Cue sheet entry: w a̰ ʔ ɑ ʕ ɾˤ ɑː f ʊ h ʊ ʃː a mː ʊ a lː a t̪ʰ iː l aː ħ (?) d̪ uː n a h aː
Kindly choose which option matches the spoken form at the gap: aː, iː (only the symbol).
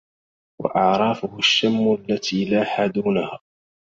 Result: aː